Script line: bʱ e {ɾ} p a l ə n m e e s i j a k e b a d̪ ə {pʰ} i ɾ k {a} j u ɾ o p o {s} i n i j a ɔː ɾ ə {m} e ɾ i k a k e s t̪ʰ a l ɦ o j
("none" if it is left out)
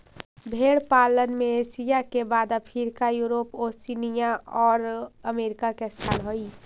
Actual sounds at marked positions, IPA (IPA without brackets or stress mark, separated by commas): ɽ, pʰ, a, s, m